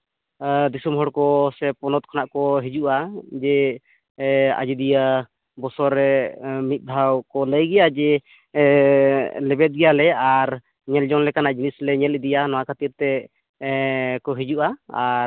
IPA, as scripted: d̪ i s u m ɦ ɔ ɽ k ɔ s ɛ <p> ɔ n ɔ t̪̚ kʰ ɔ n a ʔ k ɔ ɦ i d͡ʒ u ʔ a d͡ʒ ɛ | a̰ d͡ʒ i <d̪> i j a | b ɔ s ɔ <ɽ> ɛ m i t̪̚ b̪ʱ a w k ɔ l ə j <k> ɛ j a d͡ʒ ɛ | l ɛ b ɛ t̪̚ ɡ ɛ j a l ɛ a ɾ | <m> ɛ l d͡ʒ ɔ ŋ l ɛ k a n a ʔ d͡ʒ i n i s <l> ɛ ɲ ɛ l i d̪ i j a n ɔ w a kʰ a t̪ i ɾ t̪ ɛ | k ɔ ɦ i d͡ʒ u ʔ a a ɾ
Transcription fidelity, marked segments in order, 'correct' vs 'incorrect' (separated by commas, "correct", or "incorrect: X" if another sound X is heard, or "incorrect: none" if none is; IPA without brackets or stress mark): correct, correct, incorrect: ɾ, incorrect: ɡ, incorrect: ɲ, correct